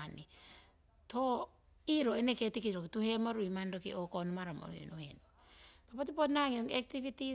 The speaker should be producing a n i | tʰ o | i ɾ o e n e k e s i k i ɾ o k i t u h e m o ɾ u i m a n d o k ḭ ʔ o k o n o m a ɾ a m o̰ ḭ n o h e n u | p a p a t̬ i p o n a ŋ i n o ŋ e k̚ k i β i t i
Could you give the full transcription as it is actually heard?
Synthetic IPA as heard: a n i | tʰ o | i ɾ o e n e k e t i k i ɾ o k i t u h e m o ɾ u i m a n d o k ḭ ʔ o k o n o m a ɾ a m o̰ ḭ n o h e n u | p a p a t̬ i p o n a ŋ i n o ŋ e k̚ t i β i t i